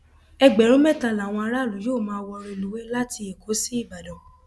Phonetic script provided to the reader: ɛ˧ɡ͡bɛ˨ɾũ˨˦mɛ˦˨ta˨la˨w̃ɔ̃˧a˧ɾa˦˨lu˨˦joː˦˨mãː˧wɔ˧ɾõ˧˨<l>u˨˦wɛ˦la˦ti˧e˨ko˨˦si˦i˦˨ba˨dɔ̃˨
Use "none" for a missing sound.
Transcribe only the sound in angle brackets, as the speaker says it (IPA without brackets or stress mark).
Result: l